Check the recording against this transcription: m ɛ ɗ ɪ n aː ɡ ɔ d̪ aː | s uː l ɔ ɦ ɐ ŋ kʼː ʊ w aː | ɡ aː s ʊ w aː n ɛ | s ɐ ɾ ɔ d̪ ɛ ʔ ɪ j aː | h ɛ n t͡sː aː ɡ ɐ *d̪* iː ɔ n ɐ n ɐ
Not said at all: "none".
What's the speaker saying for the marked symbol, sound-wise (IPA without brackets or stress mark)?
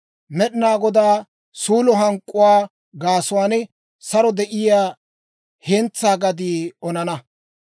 d̪